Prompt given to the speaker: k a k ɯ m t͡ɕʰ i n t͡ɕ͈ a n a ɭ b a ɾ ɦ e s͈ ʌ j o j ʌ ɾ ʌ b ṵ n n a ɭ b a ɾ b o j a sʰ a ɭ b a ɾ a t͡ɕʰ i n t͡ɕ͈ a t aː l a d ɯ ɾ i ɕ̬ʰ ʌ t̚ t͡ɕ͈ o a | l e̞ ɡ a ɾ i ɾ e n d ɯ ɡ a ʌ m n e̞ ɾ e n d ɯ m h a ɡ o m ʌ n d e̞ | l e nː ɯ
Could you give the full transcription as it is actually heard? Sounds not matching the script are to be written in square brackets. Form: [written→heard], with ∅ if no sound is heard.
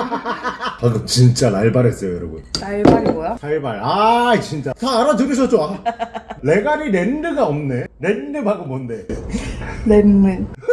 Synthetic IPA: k a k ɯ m [t͡ɕʰ→t͡ɕ] i n t͡ɕ͈ a n a ɭ b a ɾ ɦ e s͈ ʌ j o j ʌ ɾ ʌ b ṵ n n a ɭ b a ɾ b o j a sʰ a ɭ b a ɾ a [t͡ɕʰ→t͡ɕ] i n t͡ɕ͈ a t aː [l→ɾ] a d ɯ ɾ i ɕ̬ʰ ʌ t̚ t͡ɕ͈ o a | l e̞ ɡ a ɾ i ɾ e n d ɯ ɡ a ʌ m n e̞ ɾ e n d ɯ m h a ɡ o m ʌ n d e̞ | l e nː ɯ